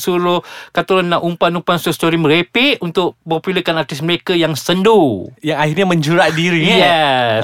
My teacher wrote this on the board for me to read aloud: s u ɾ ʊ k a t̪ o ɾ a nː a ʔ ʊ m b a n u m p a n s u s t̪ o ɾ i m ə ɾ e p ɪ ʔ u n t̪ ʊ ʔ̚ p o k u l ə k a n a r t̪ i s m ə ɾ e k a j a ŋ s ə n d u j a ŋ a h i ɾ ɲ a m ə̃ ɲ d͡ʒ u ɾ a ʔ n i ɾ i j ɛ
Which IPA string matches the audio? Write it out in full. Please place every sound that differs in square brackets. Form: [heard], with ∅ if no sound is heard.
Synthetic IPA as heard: s u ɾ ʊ k a t̪ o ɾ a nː a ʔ [u] m [p] a n u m p a n s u s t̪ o ɾ i m ə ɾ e p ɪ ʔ u n t̪ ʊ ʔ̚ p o [p] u l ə k a n a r t̪ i s m ə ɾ e k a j a ŋ s ə n d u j a ŋ a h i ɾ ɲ a m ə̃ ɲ d͡ʒ u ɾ a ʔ [d] i ɾ i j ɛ